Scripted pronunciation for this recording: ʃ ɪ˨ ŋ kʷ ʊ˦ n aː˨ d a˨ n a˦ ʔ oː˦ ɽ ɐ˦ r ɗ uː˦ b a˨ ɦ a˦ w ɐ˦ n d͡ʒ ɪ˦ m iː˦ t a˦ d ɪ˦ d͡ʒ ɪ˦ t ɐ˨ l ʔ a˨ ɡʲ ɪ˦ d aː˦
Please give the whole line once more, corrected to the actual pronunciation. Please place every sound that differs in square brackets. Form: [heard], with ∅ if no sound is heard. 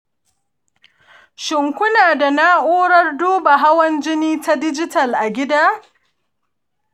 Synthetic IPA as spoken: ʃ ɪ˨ ŋ kʷ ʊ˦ n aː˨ d a˨ n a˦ ʔ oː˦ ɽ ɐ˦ r [d] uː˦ b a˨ ɦ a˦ w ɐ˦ n d͡ʒ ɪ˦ [n] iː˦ t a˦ d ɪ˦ d͡ʒ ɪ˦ t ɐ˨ l ʔ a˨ ɡʲ ɪ˦ d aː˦